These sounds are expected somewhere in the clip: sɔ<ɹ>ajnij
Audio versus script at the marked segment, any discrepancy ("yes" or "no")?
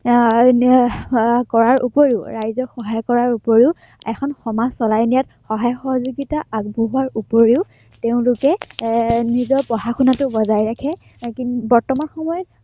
yes